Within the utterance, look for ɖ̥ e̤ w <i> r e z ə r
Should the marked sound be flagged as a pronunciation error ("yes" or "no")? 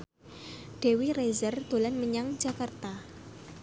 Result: no